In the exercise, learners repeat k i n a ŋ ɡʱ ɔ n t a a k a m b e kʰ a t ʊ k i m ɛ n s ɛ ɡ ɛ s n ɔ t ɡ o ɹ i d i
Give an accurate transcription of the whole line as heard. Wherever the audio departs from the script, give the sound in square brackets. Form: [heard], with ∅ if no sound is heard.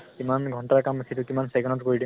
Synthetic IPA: k i [m] a [n] ɡʱ ɔ n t a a k a m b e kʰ [i] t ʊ k i m [a] n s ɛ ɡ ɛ [∅] n ɔ t [k] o ɹ i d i